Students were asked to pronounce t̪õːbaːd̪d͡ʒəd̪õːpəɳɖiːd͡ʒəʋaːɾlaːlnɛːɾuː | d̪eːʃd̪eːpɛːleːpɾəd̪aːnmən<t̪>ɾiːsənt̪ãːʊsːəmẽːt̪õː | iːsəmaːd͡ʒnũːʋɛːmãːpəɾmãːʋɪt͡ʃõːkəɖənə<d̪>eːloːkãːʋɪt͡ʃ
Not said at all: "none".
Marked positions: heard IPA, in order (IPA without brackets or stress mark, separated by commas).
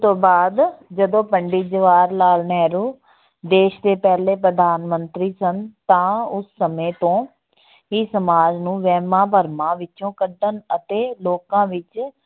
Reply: t̪, t̪